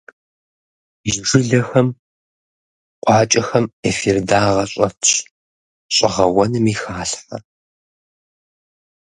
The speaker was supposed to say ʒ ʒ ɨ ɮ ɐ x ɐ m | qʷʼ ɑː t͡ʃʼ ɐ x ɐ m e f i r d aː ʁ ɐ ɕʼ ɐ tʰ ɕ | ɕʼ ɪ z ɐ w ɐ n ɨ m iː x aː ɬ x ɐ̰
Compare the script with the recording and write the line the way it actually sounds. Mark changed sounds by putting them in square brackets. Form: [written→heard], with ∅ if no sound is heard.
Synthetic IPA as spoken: ʒ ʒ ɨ ɮ ɐ x ɐ m | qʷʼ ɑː t͡ʃʼ ɐ x ɐ m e f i r d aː ʁ ɐ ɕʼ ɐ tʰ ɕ | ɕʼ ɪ [z→ʁ] ɐ w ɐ n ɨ m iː x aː ɬ [x→ħ] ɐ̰

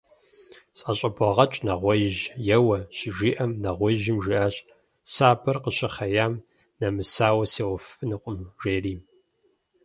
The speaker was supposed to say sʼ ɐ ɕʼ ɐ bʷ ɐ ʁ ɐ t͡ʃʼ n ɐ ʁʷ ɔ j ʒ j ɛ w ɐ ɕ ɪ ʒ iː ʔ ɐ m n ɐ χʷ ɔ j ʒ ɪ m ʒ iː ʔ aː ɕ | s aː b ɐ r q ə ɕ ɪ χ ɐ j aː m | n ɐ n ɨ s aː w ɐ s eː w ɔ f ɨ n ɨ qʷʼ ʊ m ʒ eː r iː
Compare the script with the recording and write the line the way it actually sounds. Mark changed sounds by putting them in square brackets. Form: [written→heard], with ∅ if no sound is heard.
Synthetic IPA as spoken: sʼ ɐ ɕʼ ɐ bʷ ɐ ʁ ɐ t͡ʃʼ n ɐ ʁʷ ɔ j ʒ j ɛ w ɐ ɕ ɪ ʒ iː ʔ ɐ m n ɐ [χʷ→ʁʷ] ɔ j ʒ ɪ m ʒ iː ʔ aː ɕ | s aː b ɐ r q ə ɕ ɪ χ ɐ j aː m | n ɐ [n→m] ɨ s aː w ɐ s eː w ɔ f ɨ n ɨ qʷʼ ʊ m ʒ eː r iː

